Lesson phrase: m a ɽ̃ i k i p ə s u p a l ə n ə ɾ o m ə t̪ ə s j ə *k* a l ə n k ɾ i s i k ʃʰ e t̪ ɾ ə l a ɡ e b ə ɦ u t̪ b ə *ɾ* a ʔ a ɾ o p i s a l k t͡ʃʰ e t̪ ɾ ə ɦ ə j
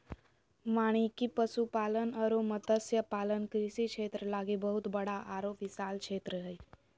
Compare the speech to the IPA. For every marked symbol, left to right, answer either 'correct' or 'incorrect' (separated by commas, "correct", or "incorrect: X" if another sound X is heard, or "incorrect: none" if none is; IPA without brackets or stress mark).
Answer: incorrect: p, incorrect: ɽ